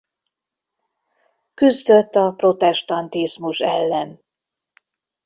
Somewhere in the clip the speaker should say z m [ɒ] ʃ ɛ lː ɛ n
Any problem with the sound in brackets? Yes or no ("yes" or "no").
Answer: yes